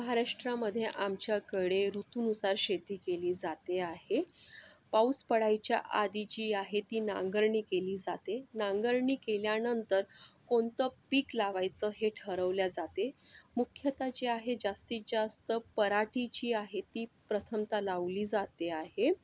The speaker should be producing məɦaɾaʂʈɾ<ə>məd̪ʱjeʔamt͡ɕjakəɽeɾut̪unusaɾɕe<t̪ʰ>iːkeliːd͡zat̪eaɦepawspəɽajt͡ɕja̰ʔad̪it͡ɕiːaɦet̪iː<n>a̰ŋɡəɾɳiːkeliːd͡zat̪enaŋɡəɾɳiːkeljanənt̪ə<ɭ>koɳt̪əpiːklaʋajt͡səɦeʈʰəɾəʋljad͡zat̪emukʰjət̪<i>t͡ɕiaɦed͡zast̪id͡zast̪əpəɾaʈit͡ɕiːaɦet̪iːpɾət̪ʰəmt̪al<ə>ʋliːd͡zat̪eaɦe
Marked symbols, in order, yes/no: no, no, yes, no, no, no

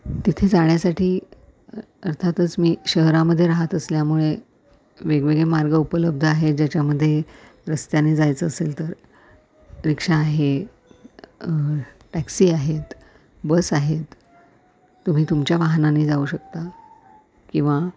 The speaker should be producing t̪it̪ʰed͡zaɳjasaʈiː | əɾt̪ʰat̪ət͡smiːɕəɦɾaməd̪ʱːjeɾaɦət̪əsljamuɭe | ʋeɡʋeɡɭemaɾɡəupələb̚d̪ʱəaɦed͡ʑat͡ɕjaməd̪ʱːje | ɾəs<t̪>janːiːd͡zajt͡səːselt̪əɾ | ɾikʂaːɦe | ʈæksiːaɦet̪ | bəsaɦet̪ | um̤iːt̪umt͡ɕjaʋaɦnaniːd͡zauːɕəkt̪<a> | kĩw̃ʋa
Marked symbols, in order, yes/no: yes, yes

